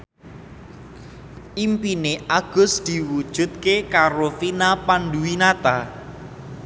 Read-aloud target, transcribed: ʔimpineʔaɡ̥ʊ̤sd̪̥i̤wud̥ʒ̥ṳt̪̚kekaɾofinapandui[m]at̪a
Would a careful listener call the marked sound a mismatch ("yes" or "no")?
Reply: yes